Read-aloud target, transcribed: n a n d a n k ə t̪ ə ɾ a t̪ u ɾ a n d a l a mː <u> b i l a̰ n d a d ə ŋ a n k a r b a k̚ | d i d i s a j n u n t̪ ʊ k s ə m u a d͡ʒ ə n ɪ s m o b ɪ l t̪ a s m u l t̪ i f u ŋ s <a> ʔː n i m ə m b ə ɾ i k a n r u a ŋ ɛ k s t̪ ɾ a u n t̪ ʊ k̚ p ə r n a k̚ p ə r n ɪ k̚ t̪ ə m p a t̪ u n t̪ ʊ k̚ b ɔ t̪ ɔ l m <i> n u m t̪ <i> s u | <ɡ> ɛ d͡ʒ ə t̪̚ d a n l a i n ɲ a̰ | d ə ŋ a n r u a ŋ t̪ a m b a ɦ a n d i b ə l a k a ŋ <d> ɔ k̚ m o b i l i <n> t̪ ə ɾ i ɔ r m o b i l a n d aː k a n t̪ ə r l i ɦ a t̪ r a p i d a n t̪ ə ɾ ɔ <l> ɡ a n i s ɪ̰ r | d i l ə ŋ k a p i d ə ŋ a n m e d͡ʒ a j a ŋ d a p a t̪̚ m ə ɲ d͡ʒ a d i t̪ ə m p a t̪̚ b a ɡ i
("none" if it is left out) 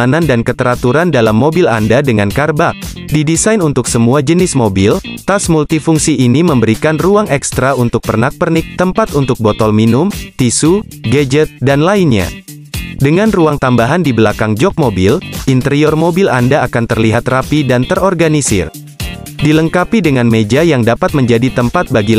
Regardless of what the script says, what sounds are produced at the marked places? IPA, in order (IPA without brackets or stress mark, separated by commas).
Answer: o, i, i, i, ɡ, d͡ʒ, n, r